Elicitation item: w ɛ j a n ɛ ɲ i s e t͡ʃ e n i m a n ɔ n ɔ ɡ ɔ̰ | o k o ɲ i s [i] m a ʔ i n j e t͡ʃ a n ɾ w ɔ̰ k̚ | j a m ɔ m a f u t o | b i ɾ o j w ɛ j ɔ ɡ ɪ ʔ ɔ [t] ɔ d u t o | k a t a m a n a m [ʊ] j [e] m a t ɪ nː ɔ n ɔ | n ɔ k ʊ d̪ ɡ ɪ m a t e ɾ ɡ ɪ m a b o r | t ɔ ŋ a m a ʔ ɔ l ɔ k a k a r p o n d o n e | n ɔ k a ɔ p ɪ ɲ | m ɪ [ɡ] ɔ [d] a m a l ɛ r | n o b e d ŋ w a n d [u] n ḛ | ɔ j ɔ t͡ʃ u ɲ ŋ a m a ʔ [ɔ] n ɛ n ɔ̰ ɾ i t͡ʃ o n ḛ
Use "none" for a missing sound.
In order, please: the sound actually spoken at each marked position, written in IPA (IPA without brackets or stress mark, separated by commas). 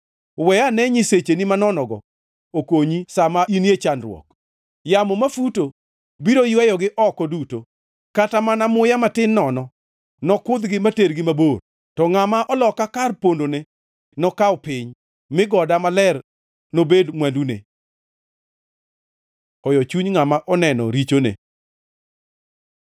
a, k, ʊ, a, ɡ, d, u, ɔ